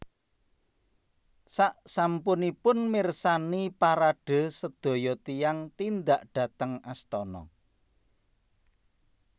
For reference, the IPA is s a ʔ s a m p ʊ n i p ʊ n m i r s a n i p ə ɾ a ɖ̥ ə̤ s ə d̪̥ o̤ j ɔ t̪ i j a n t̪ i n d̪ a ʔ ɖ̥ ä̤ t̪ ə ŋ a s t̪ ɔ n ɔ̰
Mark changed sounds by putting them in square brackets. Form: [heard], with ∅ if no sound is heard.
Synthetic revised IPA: s a ʔ s a m p ʊ n i p ʊ n m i r s a n i p [a] ɾ a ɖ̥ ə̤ s ə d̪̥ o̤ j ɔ t̪ i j a [ŋ] t̪ i n d̪ a ʔ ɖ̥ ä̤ t̪ ə ŋ a s t̪ ɔ n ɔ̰